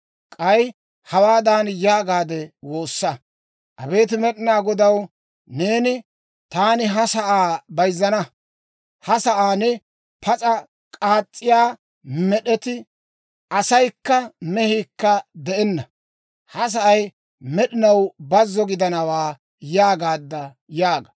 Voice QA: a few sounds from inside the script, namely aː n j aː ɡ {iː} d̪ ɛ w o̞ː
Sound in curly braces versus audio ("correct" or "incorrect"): incorrect